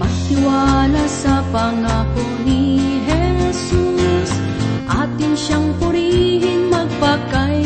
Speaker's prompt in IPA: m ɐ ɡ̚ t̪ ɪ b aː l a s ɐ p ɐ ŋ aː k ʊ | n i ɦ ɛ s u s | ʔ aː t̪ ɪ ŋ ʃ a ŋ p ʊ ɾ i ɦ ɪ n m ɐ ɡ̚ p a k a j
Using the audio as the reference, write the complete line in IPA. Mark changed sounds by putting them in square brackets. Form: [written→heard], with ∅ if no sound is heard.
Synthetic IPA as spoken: m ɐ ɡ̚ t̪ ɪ [b→w] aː l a s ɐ p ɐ ŋ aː k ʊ | n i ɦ ɛ s u s | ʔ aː t̪ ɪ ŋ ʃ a ŋ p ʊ ɾ i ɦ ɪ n m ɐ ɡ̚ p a k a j